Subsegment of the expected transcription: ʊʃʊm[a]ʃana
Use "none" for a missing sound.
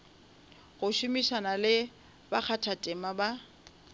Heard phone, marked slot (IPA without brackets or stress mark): i